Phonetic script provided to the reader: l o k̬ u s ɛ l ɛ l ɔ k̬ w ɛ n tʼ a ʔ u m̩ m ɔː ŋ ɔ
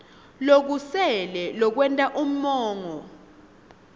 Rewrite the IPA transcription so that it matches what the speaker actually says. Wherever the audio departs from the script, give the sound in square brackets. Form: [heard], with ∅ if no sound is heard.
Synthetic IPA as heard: l o k̬ u s ɛ l ɛ l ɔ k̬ w ɛ n tʼ a ʔ u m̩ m ɔː ŋ ɔ